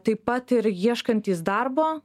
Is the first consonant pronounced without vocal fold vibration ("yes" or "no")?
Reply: yes